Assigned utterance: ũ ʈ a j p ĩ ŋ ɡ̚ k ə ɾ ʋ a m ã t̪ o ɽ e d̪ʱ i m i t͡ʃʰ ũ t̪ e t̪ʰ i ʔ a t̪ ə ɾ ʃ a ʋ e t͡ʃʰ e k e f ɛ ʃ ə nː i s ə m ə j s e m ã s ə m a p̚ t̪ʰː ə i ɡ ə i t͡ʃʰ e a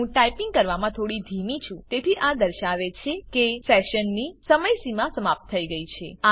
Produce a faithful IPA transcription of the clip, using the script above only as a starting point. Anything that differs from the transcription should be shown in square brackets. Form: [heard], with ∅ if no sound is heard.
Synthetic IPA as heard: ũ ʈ a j p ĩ ŋ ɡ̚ k ə ɾ ʋ a m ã [t̪ʰ] o ɽ [i] d̪ʱ i m i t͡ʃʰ ũ t̪ e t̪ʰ i ʔ a [d̪] ə ɾ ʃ a ʋ e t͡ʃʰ e k e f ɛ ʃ ə nː i s ə m ə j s [i] m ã s ə m a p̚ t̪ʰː ə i ɡ ə i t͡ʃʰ e a

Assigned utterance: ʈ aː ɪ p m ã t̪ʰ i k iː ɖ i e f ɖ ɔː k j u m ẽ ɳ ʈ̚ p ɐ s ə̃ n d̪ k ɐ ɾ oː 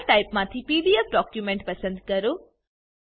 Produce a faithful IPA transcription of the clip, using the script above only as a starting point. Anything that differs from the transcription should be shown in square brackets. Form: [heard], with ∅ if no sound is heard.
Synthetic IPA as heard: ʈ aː ɪ p m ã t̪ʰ i [p] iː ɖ i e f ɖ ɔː k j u m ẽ ɳ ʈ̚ p ɐ s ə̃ n d̪ k ɐ ɾ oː

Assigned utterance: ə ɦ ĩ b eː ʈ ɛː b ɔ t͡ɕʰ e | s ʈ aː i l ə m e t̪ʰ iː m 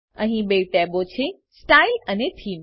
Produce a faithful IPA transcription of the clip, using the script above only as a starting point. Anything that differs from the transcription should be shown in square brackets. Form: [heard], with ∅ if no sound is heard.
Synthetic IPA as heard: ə ɦ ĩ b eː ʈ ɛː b [o] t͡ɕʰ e | s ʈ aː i l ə [n] e t̪ʰ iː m

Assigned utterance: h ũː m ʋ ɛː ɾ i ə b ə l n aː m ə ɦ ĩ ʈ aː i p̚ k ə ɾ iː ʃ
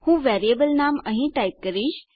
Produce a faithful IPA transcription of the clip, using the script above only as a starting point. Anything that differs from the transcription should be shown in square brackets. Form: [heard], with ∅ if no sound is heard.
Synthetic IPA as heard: h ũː [∅] ʋ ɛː ɾ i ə b ə l n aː m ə ɦ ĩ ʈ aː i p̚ k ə ɾ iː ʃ

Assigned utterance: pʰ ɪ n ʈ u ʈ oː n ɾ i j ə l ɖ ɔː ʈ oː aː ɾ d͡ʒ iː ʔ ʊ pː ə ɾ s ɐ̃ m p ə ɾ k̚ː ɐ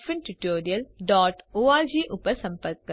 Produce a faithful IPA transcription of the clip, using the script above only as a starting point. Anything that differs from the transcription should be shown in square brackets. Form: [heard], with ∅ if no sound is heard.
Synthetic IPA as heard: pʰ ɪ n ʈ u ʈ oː [∅] ɾ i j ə l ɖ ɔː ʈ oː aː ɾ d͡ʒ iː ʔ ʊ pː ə ɾ s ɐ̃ m p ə ɾ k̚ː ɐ

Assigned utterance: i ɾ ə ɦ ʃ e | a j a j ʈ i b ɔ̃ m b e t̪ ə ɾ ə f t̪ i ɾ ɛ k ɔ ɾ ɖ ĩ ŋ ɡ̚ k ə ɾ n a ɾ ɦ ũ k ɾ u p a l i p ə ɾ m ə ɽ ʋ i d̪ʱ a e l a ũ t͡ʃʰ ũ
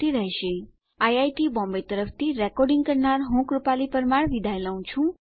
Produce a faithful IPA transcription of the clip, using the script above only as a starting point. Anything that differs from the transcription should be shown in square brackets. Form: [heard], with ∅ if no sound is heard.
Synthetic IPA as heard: i ɾ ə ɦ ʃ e | a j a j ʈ i b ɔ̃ m b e t̪ ə ɾ ə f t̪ i ɾ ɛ k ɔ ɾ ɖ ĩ ŋ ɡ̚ k ə ɾ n a ɾ ɦ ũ k ɾ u p a l i p ə ɾ m [a] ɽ ʋ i d̪ʱ a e l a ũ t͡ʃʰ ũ

